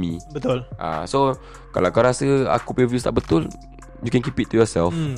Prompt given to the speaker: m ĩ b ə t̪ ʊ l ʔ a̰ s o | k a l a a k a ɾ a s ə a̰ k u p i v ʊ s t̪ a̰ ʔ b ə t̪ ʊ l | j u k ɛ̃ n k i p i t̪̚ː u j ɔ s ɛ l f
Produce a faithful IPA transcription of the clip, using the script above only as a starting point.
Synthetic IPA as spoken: m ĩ b ə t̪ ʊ l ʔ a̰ s o | k a l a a k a ɾ a s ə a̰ k u p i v u s t̪ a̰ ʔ b ə t̪ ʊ l | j u k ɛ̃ n k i p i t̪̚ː u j ɔ s ɛ l f